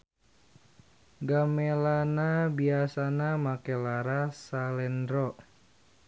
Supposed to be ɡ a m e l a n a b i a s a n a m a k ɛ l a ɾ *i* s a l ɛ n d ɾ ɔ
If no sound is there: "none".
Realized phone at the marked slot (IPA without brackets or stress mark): a